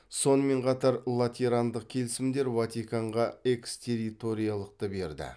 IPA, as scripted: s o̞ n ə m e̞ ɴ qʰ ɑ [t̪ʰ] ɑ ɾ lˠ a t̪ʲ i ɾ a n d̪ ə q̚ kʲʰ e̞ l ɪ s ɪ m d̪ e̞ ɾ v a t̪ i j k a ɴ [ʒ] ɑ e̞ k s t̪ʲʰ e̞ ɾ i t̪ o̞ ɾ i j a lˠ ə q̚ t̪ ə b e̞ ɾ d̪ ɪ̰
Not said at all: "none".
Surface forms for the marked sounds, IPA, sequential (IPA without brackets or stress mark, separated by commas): t̪, ʁ